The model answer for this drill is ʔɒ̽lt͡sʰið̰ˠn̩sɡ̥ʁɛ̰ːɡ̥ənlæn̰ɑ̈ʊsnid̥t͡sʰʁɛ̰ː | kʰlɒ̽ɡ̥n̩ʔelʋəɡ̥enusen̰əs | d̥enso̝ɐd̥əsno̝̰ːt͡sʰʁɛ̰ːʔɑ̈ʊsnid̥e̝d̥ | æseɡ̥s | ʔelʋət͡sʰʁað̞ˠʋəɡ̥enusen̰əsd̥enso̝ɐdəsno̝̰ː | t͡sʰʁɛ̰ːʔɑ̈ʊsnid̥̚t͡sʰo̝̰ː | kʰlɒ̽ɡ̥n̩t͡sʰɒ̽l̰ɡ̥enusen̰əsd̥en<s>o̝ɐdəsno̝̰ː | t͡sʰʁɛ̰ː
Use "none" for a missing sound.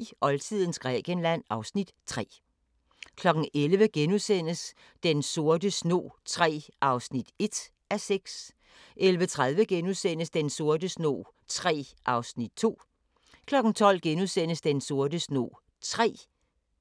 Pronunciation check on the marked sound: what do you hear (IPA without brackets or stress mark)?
s